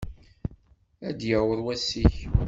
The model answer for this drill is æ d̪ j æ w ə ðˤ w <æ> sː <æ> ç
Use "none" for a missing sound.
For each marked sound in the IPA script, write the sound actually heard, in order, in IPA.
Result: æ, i

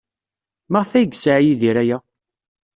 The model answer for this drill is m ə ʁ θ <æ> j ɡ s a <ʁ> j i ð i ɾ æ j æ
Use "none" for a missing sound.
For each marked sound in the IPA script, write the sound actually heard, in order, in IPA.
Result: æ, ʕ

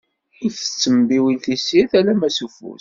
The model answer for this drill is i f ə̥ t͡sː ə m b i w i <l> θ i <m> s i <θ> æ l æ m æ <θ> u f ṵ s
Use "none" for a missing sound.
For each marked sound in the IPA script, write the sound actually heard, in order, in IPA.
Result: l, none, θ, s

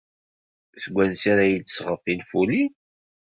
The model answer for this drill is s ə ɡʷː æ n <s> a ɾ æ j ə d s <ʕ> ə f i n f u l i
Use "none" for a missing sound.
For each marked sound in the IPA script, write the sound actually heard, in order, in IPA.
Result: s, ʁ

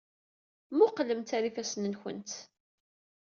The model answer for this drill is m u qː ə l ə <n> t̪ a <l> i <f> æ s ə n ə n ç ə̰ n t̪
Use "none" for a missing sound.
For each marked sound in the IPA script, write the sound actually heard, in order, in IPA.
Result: m, ɾ, f

